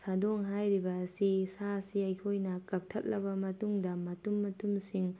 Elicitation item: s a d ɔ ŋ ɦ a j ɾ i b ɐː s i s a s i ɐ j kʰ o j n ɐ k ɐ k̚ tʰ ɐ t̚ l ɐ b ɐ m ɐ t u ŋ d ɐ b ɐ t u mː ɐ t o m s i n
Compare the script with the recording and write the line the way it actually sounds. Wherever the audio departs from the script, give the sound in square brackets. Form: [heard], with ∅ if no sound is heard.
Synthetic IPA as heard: s a d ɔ ŋ ɦ a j ɾ i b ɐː s i s a s i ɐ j kʰ o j n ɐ k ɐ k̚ tʰ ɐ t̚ l ɐ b ɐ m ɐ t u ŋ d ɐ [m] ɐ t u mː ɐ t [u] m s i [ŋ]

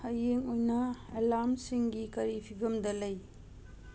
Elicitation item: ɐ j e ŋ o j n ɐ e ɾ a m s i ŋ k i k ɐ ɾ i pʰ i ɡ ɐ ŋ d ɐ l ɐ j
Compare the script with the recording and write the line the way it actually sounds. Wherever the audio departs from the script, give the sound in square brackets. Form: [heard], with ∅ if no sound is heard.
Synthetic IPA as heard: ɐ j e ŋ o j n ɐ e [l] a m s i ŋ [ɡ] i k ɐ ɾ i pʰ i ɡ ɐ [m] d ɐ l ɐ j

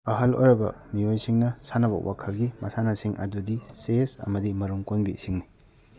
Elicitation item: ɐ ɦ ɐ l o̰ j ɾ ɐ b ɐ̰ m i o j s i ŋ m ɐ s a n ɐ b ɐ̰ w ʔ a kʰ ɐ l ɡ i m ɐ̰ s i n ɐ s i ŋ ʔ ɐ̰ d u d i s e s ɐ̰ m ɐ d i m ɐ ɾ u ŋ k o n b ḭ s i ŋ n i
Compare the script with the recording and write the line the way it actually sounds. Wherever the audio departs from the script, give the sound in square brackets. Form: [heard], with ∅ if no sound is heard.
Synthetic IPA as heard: ɐ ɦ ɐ l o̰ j ɾ ɐ b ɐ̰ m i o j s i ŋ [n] ɐ s a n ɐ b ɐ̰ w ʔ a kʰ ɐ l ɡ i m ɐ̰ s [a] n ɐ s i ŋ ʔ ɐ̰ d u d i s e s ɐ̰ m ɐ d i m ɐ ɾ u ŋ k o n b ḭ s i ŋ n i

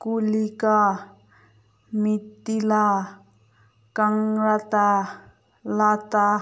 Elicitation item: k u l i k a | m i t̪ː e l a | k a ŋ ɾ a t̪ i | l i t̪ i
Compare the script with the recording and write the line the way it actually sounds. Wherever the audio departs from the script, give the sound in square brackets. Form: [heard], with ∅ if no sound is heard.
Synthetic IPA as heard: k u l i k a | m i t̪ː [i] l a | k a ŋ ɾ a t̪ [a] | l [a] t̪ [a]

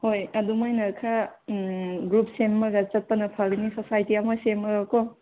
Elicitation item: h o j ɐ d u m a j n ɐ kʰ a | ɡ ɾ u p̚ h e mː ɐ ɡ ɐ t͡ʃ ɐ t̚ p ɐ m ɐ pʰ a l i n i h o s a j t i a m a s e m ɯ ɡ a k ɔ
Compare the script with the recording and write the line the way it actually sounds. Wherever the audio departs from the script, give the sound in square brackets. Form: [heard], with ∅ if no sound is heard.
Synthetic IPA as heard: h o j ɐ d u m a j n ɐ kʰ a | ɡ ɾ u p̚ [s] e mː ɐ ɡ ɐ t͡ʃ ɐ t̚ p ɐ [n] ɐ pʰ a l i n i [s] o s a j t i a m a s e m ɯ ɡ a k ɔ

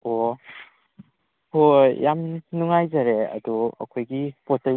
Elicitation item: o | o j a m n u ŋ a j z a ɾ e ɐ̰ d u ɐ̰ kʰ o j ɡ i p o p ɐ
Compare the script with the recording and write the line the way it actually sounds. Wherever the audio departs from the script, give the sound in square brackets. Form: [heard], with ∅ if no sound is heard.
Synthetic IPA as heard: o | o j a m n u ŋ a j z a ɾ e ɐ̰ d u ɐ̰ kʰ o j ɡ i p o [t] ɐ

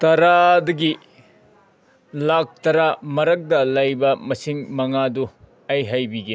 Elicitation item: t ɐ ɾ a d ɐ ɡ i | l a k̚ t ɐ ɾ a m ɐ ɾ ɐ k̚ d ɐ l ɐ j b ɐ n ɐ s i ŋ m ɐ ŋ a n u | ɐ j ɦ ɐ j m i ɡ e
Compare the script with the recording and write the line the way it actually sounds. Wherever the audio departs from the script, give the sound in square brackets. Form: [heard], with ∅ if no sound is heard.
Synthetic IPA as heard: t ɐ ɾ a d ɐ ɡ i | l a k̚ t ɐ ɾ a m ɐ ɾ ɐ k̚ d ɐ l ɐ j b ɐ [m] ɐ s i ŋ m ɐ ŋ a [d] u | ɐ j ɦ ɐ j [b] i ɡ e

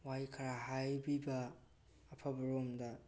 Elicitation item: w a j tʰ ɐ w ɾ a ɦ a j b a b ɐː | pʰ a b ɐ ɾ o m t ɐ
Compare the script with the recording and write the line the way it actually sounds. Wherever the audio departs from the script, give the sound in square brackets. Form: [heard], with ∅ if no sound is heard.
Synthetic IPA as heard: w a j [kʰ] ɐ [∅] ɾ a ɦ a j b [i] b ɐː | pʰ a b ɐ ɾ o m [d] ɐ

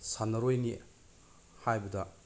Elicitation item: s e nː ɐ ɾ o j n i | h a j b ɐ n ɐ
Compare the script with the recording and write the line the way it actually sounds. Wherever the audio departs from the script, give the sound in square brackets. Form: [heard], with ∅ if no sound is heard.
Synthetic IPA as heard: s [a] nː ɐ ɾ o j n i | h a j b ɐ [d] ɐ

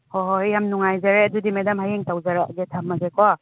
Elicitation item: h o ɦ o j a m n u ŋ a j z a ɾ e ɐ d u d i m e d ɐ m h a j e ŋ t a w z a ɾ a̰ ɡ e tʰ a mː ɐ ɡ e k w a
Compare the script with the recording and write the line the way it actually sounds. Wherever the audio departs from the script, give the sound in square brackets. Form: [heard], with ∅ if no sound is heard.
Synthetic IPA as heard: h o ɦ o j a m n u ŋ a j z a ɾ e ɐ d u d i m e d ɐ m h a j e ŋ t a w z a ɾ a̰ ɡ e tʰ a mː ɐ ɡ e k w a

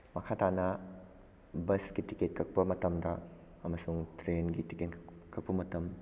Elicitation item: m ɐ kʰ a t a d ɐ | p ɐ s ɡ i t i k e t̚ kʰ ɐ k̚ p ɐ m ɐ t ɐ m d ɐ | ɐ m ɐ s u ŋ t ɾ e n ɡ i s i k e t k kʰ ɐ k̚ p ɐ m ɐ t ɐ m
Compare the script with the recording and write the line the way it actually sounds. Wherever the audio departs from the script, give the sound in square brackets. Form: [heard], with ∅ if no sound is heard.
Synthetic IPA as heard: m ɐ kʰ a t a [n] ɐ | [b] ɐ s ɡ i t i k e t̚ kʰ ɐ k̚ p ɐ m ɐ t ɐ m d ɐ | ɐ m ɐ s u ŋ t ɾ e n ɡ i [t] i k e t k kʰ ɐ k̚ p ɐ m ɐ t ɐ m

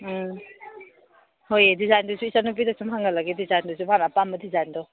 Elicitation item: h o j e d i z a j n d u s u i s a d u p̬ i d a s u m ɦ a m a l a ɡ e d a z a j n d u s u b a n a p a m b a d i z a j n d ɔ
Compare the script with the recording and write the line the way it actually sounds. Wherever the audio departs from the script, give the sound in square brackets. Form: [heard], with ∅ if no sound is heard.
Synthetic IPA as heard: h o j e d i z a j n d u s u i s a [n] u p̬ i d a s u m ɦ a [ŋ] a l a ɡ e d [i] z a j n d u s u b a n a p a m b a d i z a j n d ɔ

